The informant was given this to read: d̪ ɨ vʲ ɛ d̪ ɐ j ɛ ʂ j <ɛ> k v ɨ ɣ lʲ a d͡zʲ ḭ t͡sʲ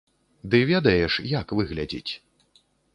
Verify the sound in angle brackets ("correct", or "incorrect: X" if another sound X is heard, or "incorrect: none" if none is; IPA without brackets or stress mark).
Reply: incorrect: a